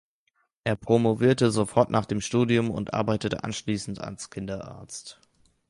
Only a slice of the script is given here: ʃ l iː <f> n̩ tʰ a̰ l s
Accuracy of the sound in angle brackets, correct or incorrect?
incorrect